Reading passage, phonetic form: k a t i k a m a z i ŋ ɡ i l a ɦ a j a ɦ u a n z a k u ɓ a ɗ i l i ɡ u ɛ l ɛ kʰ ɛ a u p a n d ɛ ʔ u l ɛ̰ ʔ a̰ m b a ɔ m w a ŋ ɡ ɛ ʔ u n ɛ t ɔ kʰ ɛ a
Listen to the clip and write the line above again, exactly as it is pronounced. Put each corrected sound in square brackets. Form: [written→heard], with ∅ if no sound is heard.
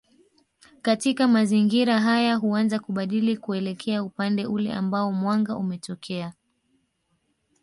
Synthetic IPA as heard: k a t i k a m a z i ŋ ɡ i [l→ɾ] a ɦ a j a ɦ u a n z a k u ɓ a ɗ i l i [ɡ→k] u ɛ l ɛ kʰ ɛ a u p a n d ɛ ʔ u l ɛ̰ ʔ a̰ m b a ɔ m w a ŋ ɡ [ɛ→a] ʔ u [n→m] ɛ t ɔ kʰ ɛ a